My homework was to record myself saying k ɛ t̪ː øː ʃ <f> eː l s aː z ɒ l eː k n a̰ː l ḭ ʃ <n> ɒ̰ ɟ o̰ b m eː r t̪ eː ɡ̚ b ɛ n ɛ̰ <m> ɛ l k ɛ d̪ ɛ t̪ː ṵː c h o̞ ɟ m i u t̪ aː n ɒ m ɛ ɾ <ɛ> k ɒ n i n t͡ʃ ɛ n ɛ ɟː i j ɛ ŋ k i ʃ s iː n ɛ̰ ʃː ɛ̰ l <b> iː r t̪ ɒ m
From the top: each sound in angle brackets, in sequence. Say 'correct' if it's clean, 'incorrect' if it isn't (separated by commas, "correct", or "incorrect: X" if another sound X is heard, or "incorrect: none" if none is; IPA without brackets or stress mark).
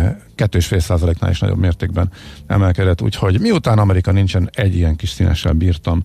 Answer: correct, correct, correct, incorrect: i, correct